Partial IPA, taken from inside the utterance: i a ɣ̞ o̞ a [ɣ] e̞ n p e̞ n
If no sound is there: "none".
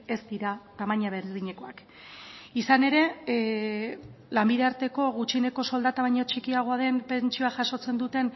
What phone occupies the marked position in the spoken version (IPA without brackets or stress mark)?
ð